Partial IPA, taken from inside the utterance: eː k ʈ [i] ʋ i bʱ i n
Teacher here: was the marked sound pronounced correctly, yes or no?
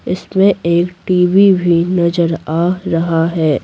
no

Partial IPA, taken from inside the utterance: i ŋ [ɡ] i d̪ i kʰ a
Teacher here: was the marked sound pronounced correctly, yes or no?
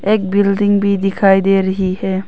no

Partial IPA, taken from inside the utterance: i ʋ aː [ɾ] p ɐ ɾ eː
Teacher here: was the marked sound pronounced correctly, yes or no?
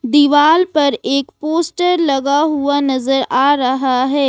no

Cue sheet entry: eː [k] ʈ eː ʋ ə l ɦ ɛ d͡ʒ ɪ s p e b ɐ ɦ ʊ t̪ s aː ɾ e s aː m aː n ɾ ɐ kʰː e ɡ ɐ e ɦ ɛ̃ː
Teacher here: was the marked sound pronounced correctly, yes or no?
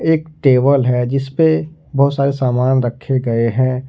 yes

